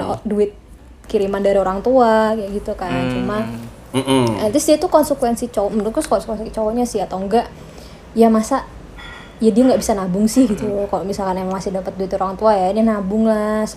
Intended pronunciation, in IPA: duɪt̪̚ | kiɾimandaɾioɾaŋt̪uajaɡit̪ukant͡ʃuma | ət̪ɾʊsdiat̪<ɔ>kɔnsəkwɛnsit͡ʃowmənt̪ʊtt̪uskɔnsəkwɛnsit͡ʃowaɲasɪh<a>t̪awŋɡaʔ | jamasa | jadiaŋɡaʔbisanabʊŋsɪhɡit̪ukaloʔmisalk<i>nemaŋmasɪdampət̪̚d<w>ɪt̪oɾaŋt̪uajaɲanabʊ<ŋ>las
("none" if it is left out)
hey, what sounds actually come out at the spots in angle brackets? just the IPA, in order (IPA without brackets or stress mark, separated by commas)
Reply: u, a, a, u, ŋ